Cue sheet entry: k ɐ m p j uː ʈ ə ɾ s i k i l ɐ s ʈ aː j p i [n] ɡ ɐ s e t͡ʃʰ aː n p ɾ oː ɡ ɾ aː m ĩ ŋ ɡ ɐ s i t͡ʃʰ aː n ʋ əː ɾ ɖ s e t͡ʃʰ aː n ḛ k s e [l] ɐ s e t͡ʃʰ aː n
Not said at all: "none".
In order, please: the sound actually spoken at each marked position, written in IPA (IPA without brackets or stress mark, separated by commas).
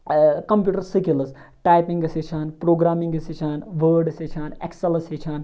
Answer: ŋ, l